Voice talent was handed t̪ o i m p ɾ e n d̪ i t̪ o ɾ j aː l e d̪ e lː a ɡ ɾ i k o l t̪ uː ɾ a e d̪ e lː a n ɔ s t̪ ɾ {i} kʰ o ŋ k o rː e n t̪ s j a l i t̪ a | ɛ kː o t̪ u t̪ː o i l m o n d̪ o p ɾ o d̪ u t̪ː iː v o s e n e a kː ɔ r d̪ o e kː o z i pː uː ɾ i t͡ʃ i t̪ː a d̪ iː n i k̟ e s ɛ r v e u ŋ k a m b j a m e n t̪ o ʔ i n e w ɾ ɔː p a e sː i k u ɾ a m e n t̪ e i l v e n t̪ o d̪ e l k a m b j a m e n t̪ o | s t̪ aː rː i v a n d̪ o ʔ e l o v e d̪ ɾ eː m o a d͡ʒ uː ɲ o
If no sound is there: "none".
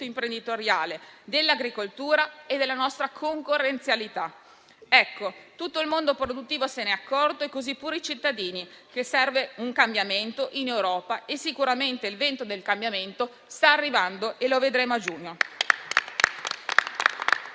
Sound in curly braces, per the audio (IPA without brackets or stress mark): a